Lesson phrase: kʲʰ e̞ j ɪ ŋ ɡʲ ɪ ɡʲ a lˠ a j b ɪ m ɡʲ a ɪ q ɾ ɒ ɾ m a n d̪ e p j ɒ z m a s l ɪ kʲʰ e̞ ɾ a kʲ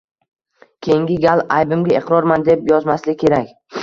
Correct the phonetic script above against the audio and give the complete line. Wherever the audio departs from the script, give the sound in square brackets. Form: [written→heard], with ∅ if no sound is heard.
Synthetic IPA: kʲʰ e̞ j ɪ ŋ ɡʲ ɪ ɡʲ a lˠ a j b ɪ m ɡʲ a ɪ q ɾ ɒ ɾ m a n d̪ e p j ɒ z m a s l ɪ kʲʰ e̞ ɾ a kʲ